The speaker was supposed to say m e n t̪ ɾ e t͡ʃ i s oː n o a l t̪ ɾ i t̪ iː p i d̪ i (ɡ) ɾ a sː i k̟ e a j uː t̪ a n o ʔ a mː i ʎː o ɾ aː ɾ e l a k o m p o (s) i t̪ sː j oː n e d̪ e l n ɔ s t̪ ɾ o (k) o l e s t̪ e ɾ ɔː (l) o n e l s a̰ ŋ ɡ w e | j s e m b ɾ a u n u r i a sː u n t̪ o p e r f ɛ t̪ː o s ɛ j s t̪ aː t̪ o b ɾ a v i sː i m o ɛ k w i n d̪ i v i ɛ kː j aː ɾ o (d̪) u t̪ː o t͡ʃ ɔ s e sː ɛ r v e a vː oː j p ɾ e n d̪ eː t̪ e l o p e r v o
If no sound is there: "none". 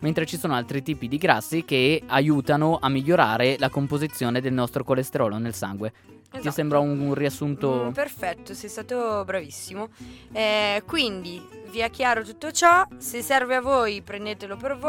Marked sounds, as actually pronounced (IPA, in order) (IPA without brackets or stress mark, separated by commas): ɡ, z, k, l, t̪